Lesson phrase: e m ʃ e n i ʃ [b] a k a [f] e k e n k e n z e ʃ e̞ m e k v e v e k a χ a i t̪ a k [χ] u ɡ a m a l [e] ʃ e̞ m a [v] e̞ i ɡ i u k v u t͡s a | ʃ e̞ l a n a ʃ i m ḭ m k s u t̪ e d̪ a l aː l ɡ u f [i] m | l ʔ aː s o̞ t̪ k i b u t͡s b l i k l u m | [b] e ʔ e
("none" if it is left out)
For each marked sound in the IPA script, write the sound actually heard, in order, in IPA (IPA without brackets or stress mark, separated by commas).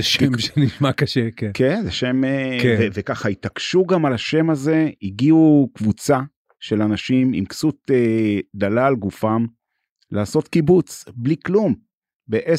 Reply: m, ʃ, ʃ, a, z, a, b